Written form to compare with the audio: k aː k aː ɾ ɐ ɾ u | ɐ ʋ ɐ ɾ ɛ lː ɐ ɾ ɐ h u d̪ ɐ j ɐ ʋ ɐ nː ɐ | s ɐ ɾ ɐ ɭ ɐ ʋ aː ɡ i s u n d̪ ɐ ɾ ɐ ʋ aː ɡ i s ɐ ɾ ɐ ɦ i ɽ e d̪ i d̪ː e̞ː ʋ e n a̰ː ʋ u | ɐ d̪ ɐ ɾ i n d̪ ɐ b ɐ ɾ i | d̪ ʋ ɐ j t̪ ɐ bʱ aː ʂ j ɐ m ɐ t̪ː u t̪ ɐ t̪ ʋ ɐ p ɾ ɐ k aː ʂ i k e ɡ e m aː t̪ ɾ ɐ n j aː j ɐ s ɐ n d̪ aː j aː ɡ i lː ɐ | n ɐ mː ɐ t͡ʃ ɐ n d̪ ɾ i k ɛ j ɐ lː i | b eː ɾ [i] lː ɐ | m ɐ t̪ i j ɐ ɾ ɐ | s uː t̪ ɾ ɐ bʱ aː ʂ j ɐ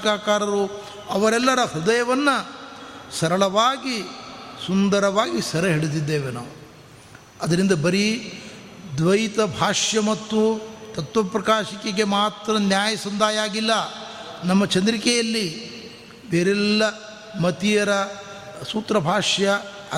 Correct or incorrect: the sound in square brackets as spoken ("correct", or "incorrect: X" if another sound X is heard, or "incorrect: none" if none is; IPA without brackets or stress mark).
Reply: incorrect: ɛ